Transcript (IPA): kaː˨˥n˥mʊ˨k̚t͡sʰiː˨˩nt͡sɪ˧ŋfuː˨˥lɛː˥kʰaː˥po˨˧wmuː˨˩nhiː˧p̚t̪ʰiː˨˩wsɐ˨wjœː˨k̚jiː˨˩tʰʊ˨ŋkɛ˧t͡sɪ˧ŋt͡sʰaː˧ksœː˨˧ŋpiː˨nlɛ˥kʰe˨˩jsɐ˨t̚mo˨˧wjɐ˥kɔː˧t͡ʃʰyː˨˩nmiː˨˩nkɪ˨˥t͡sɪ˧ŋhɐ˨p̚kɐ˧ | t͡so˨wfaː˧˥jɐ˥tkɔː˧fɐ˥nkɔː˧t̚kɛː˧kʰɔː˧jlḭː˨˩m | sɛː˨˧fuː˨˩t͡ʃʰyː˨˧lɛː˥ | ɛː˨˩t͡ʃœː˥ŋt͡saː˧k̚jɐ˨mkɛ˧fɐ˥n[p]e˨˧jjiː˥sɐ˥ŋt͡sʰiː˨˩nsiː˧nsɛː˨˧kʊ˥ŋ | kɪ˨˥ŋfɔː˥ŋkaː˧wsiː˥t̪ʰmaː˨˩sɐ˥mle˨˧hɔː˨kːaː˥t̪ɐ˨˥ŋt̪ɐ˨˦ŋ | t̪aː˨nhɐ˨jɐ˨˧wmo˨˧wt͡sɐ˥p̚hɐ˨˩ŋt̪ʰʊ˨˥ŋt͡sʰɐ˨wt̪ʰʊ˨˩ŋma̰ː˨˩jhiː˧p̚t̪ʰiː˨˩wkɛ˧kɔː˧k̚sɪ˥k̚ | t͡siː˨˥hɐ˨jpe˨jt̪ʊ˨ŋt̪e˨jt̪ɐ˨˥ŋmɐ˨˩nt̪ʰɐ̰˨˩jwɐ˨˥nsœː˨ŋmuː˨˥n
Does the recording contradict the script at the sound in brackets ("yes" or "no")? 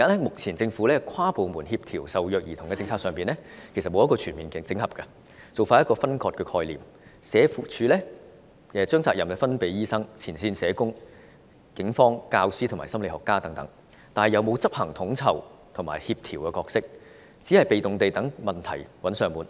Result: no